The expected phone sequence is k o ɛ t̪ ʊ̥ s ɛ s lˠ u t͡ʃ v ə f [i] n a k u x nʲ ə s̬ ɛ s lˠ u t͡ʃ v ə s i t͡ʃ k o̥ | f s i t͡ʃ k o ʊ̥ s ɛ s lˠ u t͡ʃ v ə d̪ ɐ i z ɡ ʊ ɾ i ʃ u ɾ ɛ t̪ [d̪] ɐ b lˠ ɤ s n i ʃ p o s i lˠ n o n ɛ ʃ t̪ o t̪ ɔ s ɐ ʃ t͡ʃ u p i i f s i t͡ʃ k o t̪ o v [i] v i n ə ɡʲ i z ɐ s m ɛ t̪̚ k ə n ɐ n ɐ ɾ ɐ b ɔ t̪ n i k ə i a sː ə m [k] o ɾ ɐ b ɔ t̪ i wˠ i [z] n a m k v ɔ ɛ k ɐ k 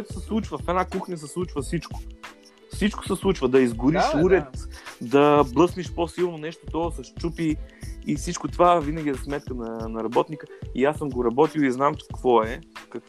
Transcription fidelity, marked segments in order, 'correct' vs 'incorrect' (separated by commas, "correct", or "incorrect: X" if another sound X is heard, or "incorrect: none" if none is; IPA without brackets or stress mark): incorrect: ɛ, correct, incorrect: a, incorrect: ɡ, correct